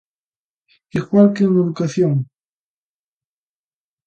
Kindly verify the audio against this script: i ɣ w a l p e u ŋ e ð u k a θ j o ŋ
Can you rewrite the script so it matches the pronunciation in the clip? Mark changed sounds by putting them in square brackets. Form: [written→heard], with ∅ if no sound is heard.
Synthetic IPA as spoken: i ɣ w a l [p→k] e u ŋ e ð u k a θ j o ŋ